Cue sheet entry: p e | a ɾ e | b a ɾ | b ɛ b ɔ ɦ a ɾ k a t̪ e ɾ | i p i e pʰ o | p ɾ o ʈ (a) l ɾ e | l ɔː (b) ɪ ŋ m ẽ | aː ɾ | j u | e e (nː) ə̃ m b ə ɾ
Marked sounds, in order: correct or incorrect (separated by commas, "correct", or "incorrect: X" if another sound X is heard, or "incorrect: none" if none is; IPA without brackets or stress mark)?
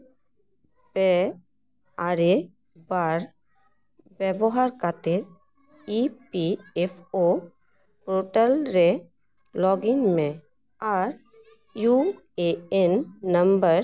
incorrect: ə, incorrect: ɡ, correct